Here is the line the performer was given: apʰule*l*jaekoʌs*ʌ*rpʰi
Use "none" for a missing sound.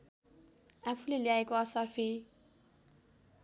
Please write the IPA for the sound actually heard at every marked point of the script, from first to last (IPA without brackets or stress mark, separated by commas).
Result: l, ʌ